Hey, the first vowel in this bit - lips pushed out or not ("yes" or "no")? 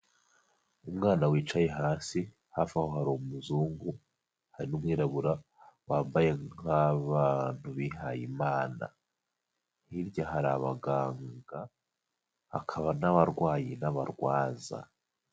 yes